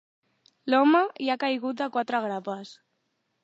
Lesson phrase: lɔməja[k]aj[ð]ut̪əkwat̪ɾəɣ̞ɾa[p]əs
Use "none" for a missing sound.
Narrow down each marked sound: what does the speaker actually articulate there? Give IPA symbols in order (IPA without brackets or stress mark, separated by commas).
k, ɣ, p